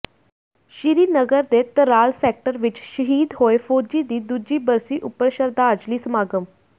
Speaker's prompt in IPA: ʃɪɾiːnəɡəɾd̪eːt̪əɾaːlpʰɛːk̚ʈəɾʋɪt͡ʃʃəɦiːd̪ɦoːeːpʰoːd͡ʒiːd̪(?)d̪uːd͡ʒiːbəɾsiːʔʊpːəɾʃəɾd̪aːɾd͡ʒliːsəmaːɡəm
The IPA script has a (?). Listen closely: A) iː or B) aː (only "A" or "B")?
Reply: A